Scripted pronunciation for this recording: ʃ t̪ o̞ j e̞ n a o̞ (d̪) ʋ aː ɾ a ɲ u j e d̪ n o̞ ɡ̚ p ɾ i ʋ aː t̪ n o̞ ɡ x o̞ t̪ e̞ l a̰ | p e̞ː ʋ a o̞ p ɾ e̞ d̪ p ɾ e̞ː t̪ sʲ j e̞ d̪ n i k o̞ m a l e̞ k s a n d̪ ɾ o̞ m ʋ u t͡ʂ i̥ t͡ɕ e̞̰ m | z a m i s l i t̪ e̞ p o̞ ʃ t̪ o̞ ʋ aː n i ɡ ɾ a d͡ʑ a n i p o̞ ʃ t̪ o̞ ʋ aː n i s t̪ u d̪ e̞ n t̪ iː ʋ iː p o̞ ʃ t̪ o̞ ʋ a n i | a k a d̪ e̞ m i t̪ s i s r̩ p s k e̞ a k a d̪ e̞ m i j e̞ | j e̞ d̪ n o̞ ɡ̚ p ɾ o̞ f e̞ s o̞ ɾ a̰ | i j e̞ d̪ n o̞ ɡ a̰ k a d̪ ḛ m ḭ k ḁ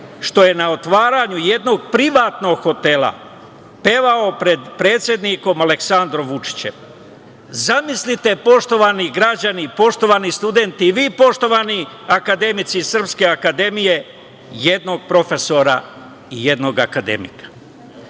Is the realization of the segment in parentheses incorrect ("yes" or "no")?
yes